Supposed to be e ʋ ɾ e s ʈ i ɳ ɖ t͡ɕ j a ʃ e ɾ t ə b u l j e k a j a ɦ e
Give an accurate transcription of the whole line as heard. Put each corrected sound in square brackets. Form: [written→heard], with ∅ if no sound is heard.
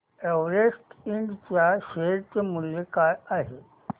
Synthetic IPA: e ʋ ɾ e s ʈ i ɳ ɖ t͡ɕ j a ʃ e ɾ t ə [b→m] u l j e k a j a ɦ e